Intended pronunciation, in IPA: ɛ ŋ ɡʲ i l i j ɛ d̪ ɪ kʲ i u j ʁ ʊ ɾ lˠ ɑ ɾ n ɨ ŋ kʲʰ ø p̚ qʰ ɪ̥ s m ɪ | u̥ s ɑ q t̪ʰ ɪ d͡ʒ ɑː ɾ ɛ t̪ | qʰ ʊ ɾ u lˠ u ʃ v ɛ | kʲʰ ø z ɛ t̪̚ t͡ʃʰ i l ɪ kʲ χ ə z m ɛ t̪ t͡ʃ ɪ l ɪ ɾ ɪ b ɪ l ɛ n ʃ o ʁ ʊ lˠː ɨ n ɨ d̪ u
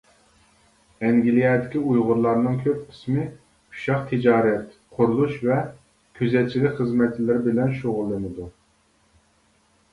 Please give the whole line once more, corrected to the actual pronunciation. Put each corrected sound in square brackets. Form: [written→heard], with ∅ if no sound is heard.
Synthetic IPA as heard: ɛ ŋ ɡʲ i l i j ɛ d̪ ɪ kʲ i u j ʁ ʊ ɾ lˠ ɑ ɾ n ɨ ŋ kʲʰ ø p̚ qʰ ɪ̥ s m ɪ | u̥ [s→ʃ] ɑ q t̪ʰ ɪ d͡ʒ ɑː ɾ ɛ t̪ | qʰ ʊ ɾ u lˠ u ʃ v ɛ | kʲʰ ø z ɛ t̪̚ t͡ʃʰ i l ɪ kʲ χ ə z m ɛ t̪ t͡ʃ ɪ l ɪ ɾ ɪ b ɪ l ɛ n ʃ o ʁ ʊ lˠː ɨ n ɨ d̪ u